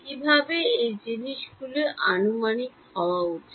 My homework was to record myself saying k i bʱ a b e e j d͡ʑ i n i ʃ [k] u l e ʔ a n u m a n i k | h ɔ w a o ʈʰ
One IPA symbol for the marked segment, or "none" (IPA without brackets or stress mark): ɡ